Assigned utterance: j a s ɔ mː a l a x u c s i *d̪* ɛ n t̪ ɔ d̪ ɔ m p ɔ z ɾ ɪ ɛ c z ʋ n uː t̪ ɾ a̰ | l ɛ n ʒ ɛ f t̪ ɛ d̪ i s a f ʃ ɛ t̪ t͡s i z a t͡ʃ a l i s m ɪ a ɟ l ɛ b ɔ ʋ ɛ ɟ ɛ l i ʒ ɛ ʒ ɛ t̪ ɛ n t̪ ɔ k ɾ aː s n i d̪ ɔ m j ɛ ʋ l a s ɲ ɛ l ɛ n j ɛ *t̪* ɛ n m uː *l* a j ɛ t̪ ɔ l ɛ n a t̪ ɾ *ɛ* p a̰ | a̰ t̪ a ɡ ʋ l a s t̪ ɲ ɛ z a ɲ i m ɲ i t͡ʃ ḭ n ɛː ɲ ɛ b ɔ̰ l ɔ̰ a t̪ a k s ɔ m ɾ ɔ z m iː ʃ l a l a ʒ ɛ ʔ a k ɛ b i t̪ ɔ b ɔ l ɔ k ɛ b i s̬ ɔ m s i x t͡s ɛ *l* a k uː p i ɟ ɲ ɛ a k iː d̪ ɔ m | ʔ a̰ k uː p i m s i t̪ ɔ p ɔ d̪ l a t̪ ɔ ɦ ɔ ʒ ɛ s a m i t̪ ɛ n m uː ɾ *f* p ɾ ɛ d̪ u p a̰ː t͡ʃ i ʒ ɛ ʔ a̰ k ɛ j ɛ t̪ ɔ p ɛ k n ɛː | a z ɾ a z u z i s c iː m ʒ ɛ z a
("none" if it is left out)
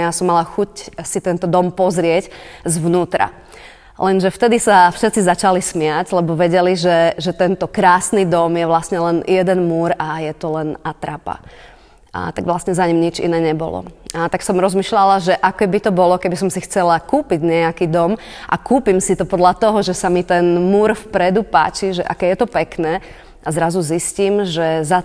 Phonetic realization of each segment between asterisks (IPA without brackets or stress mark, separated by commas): t̪, d̪, ɾ, a, l, f